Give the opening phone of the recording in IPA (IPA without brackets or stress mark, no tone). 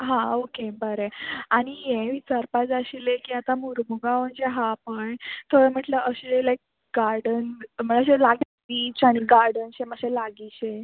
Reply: ɦ